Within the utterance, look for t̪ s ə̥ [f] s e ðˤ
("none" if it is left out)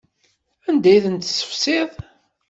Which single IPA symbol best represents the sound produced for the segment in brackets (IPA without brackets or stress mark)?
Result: f